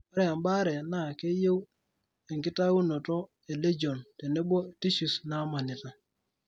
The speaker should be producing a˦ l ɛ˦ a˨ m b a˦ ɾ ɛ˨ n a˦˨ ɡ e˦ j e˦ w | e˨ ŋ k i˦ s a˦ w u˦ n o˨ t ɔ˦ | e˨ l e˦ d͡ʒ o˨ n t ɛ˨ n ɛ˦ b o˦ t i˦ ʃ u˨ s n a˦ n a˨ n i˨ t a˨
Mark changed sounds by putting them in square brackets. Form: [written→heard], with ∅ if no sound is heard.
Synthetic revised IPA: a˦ [l→ɾ] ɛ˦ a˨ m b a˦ ɾ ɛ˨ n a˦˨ [ɡ→k] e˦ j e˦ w | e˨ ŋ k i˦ [s→t] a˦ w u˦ n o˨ t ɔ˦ | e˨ l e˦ d͡ʒ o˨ n t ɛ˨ n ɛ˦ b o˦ t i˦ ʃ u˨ s n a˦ [n→m] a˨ n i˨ t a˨

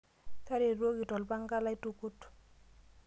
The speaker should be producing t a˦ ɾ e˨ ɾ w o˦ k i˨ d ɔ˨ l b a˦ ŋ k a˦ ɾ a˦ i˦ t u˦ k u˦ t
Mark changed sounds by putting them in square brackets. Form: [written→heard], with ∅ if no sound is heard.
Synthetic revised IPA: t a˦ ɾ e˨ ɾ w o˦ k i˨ [d→t] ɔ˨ l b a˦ ŋ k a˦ [ɾ→l] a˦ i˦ t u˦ k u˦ t

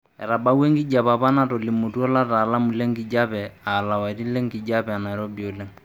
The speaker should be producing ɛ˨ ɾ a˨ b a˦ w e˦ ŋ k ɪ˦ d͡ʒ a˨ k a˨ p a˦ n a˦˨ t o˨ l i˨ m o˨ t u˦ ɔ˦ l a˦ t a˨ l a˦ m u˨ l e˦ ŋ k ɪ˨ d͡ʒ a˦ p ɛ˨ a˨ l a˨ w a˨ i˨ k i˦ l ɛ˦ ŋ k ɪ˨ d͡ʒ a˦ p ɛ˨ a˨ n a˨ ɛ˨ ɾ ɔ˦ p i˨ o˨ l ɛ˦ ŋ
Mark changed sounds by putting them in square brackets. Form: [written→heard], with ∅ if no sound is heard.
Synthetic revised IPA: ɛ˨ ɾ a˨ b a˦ w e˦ ŋ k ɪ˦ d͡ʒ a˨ [k→p] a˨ p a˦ n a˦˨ t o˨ l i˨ m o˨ t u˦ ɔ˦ l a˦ t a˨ l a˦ m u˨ l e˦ ŋ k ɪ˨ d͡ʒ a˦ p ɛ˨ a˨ l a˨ w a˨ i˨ [k→t] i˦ l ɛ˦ ŋ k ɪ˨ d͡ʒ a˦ p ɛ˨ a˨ n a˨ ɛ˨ ɾ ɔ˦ [p→b] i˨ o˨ l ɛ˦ ŋ

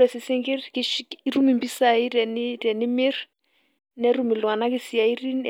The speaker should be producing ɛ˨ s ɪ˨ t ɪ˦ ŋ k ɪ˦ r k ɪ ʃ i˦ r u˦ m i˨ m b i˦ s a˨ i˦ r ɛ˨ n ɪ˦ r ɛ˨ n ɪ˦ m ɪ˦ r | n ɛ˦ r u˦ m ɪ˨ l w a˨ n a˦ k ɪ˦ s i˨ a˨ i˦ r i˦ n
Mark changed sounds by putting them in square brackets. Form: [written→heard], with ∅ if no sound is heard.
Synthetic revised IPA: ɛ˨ s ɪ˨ [t→s] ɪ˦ ŋ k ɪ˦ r k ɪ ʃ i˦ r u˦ m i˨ m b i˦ s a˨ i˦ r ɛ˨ n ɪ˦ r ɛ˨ n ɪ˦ m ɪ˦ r | n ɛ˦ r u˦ m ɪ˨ l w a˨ n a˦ k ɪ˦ s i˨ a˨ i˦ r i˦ n

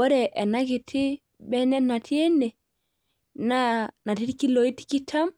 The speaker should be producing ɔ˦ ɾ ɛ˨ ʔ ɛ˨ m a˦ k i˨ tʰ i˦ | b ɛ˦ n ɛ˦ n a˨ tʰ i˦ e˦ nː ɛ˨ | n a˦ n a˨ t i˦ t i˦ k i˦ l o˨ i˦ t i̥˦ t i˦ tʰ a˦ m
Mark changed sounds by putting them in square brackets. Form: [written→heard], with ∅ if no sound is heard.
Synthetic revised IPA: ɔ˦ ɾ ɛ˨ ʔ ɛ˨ [m→n] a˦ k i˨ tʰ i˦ | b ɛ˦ n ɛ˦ n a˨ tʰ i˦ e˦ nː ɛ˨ | n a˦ n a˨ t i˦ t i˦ k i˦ l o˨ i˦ t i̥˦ [t→k] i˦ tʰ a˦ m

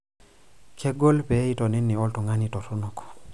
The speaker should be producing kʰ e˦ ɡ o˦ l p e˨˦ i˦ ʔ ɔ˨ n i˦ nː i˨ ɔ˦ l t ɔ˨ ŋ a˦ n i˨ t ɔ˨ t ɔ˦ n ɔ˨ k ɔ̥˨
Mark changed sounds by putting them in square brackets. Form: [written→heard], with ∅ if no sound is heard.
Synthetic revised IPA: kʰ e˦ ɡ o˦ l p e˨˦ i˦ [ʔ→t] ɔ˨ n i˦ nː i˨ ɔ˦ l t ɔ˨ ŋ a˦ n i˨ t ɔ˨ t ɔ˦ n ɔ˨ k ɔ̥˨

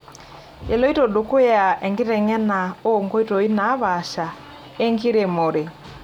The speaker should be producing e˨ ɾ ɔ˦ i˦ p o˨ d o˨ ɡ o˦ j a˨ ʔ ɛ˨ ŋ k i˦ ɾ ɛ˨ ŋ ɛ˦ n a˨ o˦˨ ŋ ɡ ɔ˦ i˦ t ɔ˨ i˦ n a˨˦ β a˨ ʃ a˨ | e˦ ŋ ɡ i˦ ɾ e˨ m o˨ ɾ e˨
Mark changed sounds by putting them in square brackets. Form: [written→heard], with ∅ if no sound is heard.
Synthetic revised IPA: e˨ [ɾ→l] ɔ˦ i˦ [p→t] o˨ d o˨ [ɡ→k] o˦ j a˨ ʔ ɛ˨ ŋ [k→ɡ] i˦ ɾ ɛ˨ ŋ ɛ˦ n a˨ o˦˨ ŋ ɡ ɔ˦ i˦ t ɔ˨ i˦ n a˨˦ β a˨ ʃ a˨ | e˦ ŋ ɡ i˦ ɾ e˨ m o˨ ɾ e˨

